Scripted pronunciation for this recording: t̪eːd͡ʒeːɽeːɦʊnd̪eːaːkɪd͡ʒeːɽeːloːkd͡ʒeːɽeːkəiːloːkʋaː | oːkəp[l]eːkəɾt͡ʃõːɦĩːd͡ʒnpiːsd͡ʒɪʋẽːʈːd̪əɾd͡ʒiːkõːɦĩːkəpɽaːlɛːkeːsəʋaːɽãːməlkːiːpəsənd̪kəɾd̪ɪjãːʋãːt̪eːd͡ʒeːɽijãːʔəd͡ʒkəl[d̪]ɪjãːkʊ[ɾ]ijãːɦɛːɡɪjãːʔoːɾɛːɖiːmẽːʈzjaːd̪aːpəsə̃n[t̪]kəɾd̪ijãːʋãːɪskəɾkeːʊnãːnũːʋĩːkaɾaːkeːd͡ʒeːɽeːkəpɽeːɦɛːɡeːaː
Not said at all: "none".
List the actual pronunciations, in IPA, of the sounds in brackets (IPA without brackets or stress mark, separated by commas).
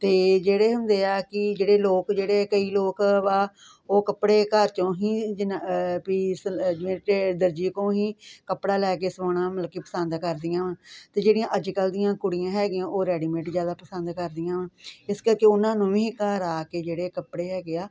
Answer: ɽ, d̪, ɽ, d̪